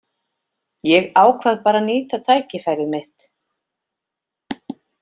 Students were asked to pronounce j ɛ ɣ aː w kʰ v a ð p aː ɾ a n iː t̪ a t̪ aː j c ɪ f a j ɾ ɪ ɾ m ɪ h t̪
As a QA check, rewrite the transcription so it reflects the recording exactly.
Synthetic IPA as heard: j ɛ ɣ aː w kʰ v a ð p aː ɾ a n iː t̪ a t̪ʰ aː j c ɪ f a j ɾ ɪ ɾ m ɪ h t̪